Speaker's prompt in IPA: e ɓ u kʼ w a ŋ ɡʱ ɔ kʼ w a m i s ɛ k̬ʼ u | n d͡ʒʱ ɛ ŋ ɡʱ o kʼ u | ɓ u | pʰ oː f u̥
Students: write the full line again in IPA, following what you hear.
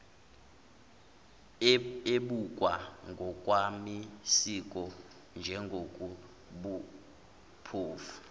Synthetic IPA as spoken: e ɓ u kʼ w a ŋ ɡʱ ɔ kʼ w a m i s i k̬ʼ ɔ | n d͡ʒʱ ɛ ŋ ɡʱ o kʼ u | ɓ u | pʰ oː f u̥